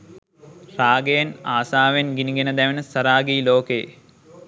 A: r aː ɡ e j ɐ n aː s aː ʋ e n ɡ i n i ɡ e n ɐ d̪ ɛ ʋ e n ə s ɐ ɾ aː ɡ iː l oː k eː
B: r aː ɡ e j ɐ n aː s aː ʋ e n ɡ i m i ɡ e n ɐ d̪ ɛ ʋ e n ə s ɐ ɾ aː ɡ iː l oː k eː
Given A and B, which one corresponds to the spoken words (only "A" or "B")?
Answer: A